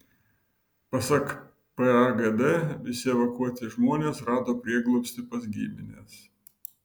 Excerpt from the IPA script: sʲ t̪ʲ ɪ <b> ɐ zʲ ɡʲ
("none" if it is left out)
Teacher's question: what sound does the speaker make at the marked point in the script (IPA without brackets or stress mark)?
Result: p